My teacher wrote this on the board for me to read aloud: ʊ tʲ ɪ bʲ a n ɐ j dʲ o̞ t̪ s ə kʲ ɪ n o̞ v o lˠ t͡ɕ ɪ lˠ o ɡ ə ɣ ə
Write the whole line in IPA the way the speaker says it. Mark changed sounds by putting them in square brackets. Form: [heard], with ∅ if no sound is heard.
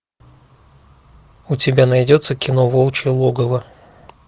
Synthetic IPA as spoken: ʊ tʲ ɪ bʲ a n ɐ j dʲ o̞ t̪ s ə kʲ ɪ n o̞ v o lˠ t͡ɕ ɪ lˠ o ɡ ə [v] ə